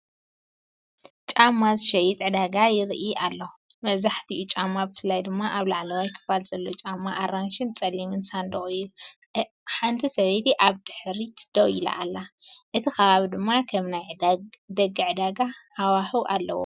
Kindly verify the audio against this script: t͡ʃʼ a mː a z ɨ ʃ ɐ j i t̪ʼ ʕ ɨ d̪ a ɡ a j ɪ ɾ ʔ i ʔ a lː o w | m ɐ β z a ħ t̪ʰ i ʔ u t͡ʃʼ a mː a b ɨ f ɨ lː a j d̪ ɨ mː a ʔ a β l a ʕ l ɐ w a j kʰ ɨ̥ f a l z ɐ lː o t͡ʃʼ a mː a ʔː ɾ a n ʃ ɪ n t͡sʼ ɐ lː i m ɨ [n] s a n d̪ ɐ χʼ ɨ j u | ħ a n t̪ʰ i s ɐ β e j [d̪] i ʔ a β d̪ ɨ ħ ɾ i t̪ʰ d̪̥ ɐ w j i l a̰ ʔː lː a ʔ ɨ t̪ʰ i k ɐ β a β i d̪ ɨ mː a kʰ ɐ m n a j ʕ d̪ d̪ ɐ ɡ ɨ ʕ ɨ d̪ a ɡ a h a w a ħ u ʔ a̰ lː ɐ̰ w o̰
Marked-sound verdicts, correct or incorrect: correct, incorrect

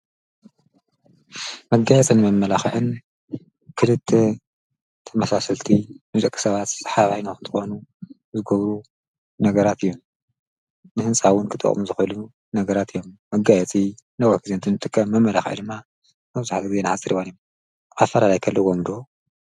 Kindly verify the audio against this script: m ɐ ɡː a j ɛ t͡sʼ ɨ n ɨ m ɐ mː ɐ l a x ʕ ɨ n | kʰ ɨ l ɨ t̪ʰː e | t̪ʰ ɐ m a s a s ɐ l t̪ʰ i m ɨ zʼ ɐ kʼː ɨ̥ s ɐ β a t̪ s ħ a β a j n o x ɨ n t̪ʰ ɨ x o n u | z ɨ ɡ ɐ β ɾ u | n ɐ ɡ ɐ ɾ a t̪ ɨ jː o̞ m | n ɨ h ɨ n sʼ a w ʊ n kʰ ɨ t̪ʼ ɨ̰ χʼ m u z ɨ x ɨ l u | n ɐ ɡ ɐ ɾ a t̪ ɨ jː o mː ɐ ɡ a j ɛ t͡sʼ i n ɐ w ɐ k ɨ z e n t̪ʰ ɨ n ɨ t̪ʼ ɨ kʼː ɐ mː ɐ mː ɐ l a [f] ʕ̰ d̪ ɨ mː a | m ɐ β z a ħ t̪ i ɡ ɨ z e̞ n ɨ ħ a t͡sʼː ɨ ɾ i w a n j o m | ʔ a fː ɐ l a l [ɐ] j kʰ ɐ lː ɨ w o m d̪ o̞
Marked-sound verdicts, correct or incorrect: incorrect, incorrect

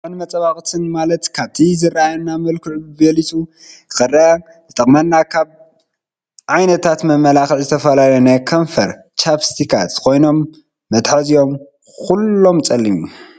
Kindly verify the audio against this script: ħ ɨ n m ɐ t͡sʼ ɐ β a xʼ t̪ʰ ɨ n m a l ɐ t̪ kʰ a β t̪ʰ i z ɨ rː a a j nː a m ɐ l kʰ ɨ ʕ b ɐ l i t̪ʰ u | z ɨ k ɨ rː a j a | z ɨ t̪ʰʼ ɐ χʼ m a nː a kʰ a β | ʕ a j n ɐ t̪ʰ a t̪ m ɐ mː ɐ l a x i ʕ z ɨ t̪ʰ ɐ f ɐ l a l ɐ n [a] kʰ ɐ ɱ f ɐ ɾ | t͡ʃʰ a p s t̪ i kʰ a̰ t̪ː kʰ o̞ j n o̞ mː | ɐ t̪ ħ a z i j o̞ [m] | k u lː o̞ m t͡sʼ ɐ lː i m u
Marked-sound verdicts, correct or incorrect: incorrect, correct

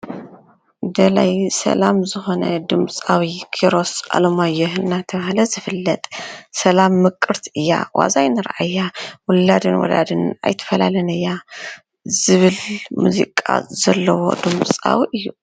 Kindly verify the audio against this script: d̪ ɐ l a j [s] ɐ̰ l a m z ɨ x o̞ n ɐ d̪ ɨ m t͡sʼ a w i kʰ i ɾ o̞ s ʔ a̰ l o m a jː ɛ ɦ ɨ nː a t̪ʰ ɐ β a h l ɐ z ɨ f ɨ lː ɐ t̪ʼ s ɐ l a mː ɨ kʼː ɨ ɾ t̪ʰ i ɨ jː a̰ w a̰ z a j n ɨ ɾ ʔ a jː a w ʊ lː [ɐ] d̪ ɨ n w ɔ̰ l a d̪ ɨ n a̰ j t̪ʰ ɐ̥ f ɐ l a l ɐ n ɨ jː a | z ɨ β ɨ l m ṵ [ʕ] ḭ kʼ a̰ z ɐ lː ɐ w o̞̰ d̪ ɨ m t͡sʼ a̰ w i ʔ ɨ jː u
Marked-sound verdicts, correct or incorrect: correct, incorrect, incorrect

